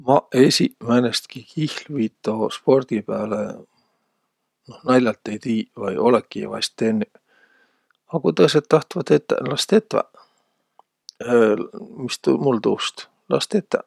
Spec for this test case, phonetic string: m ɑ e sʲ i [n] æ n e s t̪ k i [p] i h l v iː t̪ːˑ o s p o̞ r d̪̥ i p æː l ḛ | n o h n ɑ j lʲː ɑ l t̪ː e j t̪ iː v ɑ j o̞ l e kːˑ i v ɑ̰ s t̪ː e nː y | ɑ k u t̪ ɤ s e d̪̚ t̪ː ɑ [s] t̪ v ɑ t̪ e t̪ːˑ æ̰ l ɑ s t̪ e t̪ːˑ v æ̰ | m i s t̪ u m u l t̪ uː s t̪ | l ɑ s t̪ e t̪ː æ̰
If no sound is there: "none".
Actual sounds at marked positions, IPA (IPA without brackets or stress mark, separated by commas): m, k, h